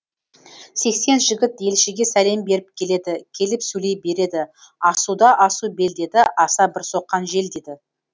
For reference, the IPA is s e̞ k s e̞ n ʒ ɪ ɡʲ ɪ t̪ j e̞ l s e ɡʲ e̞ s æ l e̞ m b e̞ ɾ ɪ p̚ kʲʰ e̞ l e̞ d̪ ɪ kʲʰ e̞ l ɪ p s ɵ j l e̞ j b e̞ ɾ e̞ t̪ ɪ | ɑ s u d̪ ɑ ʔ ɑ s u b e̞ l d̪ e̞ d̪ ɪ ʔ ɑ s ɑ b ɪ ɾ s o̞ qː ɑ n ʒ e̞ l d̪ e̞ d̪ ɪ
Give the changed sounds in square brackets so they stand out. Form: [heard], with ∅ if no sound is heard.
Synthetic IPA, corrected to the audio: s e̞ k s e̞ n ʒ ɪ ɡʲ ɪ t̪ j e̞ l [ʃ] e ɡʲ e̞ s æ l e̞ m b e̞ ɾ ɪ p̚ kʲʰ e̞ l e̞ d̪ ɪ kʲʰ e̞ l ɪ p s ɵ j l e̞ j b e̞ ɾ e̞ [d̪] ɪ | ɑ s u d̪ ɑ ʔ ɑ s u b e̞ l d̪ e̞ d̪ ɪ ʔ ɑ s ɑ b ɪ ɾ s o̞ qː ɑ n ʒ e̞ l d̪ e̞ d̪ ɪ

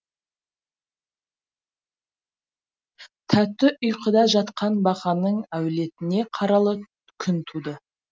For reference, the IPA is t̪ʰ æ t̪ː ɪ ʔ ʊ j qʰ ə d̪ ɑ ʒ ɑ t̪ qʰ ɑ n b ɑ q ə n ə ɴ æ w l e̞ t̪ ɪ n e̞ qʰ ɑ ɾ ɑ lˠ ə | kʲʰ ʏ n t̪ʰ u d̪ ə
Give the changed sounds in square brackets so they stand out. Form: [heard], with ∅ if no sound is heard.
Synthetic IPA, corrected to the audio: t̪ʰ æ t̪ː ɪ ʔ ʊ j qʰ ə d̪ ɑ ʒ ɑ t̪ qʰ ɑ n b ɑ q [ɑ] n ə ɴ æ w l e̞ t̪ ɪ n e̞ qʰ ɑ ɾ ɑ lˠ ə | kʲʰ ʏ n t̪ʰ u d̪ ə

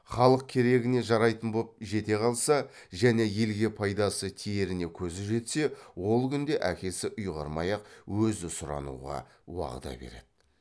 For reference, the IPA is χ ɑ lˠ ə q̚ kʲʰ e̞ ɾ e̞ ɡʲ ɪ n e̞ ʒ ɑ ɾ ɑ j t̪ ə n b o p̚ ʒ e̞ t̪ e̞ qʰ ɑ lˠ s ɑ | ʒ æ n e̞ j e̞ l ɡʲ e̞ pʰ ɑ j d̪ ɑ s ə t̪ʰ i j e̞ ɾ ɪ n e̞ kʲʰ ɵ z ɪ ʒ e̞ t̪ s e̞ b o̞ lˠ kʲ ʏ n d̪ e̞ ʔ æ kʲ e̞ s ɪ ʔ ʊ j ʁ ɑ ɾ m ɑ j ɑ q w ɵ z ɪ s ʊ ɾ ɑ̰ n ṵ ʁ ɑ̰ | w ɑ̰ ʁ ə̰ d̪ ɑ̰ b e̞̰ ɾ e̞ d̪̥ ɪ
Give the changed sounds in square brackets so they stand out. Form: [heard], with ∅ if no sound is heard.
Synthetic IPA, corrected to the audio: χ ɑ lˠ ə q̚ kʲʰ e̞ ɾ e̞ ɡʲ ɪ n e̞ ʒ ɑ ɾ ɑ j t̪ ə n b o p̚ ʒ e̞ t̪ e̞ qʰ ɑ lˠ s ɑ | ʒ æ n e̞ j e̞ l ɡʲ e̞ pʰ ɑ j d̪ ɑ s ə t̪ʰ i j e̞ ɾ ɪ n e̞ kʲʰ ɵ z ɪ ʒ e̞ t̪ s e̞ [w] o̞ lˠ kʲ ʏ n d̪ e̞ ʔ æ kʲ e̞ s ɪ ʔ ʊ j ʁ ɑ ɾ m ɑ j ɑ q w ɵ z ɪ s ʊ ɾ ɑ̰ n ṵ ʁ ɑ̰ | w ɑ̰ ʁ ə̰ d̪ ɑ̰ b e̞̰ ɾ e̞ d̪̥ ɪ

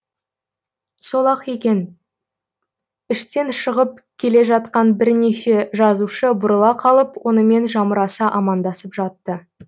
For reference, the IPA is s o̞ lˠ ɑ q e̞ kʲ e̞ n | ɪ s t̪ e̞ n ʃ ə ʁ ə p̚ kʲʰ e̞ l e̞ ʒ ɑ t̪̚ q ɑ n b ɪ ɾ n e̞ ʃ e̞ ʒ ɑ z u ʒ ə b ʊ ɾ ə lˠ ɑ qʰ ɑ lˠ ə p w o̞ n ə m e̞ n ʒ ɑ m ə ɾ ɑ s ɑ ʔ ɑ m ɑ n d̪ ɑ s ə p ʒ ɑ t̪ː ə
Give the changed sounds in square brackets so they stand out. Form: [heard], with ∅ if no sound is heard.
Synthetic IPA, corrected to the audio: s o̞ lˠ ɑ q e̞ kʲ e̞ n | ɪ [ʃ] t̪ e̞ n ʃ ə ʁ ə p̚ kʲʰ e̞ l e̞ ʒ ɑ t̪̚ q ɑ n b ɪ ɾ n e̞ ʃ e̞ ʒ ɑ z u [ʃ] ə b ʊ ɾ ə lˠ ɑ qʰ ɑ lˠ ə p w o̞ n ə m e̞ n ʒ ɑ m ə ɾ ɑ s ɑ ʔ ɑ m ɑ n d̪ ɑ s ə p ʒ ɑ t̪ː ə

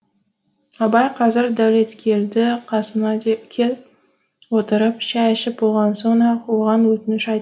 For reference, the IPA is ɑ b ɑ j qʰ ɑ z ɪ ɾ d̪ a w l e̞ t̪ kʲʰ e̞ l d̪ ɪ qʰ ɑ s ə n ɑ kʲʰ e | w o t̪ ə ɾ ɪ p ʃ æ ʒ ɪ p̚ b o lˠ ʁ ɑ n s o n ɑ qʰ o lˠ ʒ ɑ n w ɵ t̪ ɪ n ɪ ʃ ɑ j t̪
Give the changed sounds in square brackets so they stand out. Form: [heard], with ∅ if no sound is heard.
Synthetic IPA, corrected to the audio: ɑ b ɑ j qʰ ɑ z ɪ ɾ d̪ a w l e̞ t̪ kʲʰ e̞ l d̪ ɪ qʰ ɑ s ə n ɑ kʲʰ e | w o t̪ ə ɾ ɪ p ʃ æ [ʃ] ɪ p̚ b o lˠ ʁ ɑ n s o n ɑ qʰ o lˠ [ʁ] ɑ n w ɵ t̪ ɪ n ɪ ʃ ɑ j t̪

